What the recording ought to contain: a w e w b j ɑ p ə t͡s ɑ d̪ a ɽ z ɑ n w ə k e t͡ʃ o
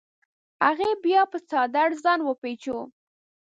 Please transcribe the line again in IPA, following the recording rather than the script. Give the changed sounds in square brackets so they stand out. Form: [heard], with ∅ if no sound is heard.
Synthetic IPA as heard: a [ɣ] e [∅] b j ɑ p ə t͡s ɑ d̪ a ɽ z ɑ n w ə [p] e t͡ʃ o